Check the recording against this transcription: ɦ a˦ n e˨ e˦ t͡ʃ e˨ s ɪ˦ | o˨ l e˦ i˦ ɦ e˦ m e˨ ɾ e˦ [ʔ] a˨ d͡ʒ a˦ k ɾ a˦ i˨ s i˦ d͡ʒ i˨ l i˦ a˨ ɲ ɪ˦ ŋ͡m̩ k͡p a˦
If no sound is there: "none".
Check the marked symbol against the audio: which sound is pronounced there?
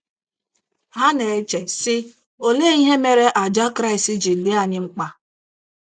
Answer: ʔ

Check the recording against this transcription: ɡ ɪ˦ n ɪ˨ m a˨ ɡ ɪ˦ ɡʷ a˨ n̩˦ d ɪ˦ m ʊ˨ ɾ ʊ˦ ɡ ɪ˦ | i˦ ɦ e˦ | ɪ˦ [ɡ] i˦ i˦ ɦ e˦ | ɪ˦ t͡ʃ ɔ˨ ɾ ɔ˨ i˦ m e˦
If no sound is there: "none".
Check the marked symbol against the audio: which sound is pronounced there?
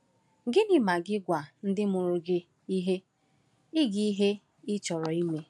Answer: ɡ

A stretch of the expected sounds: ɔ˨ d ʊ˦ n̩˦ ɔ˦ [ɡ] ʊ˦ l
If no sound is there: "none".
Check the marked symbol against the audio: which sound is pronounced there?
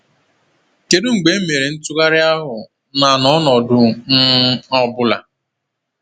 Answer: b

